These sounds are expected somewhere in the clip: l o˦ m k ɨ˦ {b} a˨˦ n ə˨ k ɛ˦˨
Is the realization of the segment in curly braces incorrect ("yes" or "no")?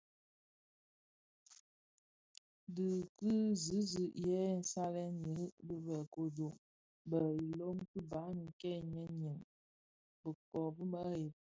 no